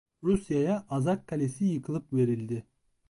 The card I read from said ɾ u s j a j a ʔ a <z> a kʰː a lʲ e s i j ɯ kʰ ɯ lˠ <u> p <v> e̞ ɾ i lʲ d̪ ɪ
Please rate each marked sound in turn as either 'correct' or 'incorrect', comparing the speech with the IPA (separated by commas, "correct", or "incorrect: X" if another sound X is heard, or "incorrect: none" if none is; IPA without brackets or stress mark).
correct, incorrect: ɯ, correct